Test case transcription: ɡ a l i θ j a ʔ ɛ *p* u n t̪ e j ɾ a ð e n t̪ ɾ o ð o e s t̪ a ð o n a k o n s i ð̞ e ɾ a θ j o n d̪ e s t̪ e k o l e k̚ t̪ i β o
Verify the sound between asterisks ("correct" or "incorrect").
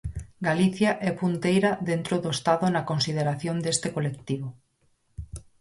correct